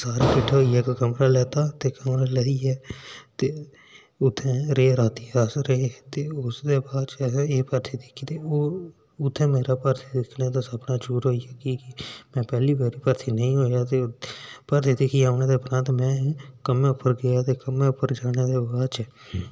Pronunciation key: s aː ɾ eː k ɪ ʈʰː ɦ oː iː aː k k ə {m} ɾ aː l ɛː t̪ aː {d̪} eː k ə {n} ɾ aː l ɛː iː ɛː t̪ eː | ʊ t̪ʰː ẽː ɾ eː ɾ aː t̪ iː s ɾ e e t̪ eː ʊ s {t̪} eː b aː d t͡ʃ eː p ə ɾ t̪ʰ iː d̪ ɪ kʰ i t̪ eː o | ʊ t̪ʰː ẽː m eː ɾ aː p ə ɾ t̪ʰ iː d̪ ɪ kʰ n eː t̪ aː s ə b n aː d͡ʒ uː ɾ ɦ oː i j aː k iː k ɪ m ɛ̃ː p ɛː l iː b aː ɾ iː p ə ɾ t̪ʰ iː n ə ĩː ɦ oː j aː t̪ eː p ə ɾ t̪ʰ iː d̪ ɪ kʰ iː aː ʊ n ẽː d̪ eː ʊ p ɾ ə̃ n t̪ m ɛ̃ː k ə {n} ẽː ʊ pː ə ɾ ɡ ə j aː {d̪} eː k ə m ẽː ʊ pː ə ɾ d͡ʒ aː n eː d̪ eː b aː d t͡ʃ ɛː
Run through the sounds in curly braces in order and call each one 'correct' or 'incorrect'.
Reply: correct, incorrect: t̪, incorrect: m, incorrect: d̪, incorrect: m, incorrect: t̪

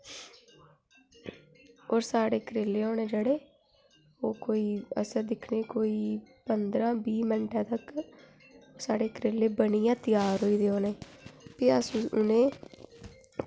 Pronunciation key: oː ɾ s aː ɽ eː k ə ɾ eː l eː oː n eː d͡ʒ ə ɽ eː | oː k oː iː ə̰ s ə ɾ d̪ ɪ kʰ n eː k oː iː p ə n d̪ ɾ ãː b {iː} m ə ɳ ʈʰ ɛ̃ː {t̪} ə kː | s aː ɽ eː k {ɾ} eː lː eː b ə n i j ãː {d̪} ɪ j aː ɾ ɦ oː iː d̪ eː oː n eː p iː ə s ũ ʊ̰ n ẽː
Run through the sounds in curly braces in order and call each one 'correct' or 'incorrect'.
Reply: correct, correct, correct, incorrect: t̪

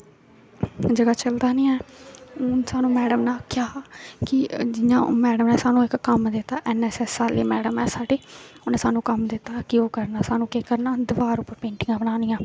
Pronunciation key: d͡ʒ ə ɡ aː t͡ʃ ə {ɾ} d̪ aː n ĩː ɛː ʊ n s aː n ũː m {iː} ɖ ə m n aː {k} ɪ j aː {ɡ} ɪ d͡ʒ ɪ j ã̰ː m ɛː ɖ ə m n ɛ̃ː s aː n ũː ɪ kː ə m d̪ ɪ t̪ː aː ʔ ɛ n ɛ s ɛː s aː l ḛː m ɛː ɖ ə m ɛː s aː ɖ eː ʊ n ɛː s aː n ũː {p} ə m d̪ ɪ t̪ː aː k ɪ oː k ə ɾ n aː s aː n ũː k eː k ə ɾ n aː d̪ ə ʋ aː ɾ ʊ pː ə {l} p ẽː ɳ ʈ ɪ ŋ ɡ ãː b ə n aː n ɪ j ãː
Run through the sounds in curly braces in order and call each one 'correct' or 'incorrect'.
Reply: incorrect: l, incorrect: ɛː, correct, incorrect: k, incorrect: k, incorrect: ɾ

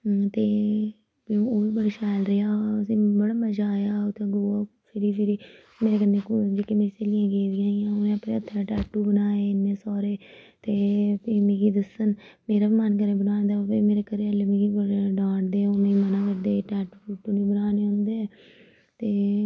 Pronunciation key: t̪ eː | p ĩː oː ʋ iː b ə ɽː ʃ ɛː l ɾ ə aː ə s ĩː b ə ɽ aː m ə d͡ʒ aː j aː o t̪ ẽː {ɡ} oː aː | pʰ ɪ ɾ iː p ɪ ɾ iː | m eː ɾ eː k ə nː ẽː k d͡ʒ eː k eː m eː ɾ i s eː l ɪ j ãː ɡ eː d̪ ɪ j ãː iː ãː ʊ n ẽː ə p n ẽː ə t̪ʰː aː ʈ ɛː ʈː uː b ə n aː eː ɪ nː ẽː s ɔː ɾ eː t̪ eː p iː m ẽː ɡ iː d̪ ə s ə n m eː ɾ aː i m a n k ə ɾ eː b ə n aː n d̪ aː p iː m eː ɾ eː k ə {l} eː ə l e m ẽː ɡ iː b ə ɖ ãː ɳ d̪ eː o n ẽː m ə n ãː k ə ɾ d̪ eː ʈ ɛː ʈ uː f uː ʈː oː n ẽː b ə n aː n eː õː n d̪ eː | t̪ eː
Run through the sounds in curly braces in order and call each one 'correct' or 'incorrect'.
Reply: correct, incorrect: ɾ

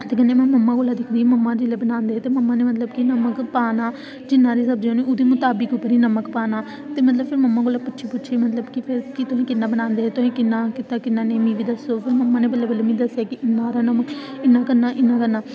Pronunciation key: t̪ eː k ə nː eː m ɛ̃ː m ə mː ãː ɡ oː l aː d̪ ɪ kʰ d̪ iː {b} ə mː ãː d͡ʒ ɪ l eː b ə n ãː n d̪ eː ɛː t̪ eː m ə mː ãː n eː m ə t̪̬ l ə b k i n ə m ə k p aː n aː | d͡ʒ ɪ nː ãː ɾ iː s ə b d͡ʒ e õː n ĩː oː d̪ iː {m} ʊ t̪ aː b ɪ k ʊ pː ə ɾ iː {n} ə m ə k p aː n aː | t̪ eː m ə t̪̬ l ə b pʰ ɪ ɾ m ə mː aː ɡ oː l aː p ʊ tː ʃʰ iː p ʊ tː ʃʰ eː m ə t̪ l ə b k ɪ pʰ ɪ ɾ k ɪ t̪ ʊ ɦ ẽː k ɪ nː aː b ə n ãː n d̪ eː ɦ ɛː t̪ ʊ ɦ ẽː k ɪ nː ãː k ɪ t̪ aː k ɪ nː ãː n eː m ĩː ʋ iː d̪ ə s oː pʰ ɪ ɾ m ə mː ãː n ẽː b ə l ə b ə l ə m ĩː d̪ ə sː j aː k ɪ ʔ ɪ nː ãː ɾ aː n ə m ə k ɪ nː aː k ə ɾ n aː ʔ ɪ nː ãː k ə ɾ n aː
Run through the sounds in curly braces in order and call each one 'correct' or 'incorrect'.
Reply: incorrect: m, correct, correct

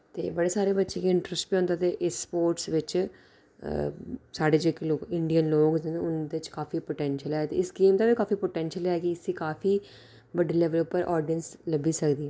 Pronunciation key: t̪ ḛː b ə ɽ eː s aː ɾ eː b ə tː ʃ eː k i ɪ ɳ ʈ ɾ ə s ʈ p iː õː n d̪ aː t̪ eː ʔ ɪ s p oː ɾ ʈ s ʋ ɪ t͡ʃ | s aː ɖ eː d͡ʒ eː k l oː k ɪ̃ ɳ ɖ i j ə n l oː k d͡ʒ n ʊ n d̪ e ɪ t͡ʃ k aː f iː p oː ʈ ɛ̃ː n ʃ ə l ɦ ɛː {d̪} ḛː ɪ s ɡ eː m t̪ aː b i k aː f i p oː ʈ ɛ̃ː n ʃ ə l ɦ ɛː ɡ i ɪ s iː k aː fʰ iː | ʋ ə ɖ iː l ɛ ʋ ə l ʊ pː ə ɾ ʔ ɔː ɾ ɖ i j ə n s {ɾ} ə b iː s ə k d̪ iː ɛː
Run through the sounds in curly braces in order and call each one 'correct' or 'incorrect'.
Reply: incorrect: t̪, incorrect: l

